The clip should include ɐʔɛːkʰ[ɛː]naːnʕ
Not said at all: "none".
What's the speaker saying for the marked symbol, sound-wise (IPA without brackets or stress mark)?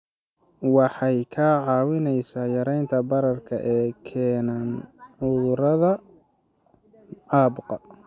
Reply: ɛː